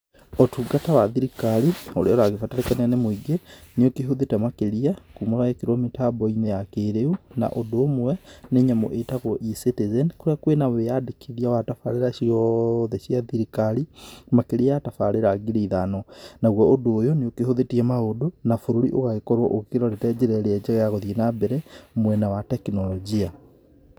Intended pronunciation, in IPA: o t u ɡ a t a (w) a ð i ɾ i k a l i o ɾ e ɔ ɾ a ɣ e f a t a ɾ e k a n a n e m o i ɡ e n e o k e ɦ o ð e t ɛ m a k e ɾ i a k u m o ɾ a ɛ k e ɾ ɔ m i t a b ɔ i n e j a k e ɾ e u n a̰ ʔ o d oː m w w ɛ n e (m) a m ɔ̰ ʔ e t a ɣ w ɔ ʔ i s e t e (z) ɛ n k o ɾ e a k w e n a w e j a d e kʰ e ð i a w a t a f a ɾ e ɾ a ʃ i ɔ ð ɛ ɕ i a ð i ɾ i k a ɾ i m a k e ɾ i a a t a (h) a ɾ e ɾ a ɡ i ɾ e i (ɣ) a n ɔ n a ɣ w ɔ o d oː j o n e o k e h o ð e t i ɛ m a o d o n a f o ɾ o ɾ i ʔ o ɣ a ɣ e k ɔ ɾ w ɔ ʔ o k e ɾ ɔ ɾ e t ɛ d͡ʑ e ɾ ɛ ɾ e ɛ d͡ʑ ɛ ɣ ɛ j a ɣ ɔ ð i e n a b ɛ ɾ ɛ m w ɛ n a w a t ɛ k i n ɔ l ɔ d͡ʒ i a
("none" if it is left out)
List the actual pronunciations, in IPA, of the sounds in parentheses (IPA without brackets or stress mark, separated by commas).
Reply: w, ɲ, z, f, ð